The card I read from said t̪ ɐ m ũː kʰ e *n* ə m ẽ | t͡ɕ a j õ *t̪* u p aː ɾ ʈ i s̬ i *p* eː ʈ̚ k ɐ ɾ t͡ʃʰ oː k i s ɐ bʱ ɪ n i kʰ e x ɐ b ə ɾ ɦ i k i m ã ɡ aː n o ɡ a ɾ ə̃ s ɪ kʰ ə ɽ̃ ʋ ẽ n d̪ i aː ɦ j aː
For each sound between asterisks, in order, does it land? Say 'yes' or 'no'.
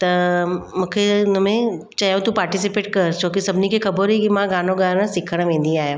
yes, yes, yes

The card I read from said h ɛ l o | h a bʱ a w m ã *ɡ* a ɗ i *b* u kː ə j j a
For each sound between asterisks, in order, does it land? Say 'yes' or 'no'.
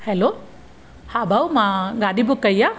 yes, yes

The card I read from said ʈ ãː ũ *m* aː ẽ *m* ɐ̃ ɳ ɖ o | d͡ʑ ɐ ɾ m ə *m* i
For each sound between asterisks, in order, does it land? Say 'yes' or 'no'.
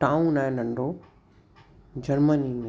no, no, no

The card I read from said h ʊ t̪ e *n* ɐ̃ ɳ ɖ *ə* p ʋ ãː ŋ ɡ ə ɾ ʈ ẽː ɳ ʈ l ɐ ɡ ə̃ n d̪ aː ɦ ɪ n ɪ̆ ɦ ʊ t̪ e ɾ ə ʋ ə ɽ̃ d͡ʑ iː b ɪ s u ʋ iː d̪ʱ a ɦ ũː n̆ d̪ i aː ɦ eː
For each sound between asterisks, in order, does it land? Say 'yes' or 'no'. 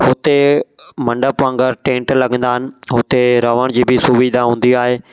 no, yes

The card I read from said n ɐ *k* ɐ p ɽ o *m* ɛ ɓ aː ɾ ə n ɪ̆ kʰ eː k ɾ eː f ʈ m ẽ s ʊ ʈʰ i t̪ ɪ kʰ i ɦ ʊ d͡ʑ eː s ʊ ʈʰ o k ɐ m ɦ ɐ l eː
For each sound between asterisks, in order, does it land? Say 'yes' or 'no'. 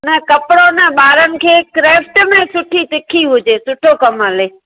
yes, no

